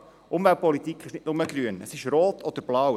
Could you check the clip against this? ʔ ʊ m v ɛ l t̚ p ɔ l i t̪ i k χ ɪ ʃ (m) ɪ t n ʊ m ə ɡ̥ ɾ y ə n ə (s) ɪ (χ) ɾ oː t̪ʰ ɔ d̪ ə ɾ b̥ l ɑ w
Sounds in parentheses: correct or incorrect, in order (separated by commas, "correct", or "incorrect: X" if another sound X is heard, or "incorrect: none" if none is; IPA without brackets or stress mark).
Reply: incorrect: n, correct, incorrect: ʃ